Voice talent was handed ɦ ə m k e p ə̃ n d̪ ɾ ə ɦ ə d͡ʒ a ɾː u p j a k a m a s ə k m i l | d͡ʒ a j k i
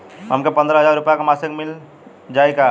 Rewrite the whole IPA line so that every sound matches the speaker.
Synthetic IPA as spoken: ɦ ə m k e p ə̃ n d̪ ɾ ə ɦ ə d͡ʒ a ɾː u p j a k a m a s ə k m i l | d͡ʒ a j k a